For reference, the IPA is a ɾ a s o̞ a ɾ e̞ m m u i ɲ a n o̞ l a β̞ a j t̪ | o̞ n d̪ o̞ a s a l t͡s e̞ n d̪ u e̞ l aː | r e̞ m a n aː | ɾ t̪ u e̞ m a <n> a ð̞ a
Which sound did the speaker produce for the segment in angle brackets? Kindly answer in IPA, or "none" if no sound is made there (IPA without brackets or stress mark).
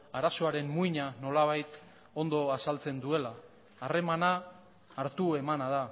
n